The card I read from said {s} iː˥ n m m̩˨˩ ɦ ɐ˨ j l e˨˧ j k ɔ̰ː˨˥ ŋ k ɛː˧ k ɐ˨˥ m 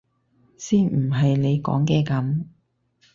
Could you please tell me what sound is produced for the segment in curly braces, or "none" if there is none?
s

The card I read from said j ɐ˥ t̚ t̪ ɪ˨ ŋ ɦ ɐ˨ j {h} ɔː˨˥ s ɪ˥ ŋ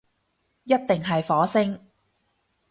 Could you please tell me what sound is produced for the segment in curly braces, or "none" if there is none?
f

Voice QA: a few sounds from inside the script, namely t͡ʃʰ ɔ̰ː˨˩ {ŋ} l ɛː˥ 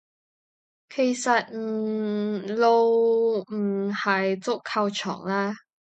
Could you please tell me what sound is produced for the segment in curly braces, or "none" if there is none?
ŋ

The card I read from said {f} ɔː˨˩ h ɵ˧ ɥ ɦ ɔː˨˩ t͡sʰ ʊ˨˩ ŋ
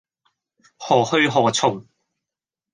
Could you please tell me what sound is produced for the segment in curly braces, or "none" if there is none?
h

